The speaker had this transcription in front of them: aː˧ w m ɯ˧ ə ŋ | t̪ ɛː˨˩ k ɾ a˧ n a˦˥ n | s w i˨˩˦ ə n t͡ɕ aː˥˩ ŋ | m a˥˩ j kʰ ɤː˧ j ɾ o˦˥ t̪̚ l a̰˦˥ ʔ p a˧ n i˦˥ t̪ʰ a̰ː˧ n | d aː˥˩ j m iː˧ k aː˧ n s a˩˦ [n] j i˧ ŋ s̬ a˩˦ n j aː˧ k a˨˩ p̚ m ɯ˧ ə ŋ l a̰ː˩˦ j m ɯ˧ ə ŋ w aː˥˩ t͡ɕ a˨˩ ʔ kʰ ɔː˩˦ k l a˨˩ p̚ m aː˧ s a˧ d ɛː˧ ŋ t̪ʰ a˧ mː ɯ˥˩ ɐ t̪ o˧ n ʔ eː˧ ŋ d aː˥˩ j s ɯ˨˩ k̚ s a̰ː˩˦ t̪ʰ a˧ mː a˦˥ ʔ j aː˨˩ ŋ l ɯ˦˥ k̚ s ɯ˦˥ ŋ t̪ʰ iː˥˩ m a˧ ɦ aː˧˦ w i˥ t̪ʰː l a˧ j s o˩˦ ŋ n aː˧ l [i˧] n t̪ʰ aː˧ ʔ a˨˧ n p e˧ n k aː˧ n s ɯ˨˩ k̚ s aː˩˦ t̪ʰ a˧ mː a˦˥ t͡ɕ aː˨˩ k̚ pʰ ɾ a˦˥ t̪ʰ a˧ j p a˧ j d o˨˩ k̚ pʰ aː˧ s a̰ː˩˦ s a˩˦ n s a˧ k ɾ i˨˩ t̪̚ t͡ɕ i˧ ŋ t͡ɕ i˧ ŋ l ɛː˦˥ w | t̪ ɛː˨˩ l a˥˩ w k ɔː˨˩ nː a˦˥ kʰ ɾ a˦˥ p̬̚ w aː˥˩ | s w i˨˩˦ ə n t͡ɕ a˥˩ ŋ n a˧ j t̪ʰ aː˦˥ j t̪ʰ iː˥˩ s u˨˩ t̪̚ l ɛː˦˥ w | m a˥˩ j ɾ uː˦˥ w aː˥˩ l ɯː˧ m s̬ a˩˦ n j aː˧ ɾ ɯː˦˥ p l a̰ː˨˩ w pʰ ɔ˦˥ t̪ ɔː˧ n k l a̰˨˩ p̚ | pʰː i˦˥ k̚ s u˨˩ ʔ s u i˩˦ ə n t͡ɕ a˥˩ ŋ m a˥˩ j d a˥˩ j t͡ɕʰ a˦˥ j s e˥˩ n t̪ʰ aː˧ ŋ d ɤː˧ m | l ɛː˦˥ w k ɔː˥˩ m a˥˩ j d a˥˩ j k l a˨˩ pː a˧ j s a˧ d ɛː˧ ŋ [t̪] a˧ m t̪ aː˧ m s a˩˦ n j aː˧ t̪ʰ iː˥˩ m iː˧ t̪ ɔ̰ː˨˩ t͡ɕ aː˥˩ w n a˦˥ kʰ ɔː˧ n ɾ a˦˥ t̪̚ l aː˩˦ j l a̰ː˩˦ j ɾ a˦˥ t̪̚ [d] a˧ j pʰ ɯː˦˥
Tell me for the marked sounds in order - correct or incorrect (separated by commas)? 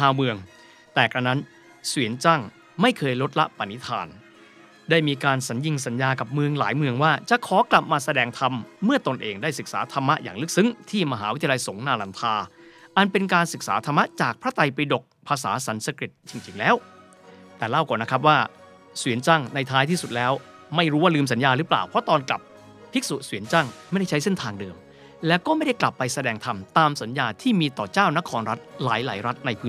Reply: correct, incorrect, incorrect, incorrect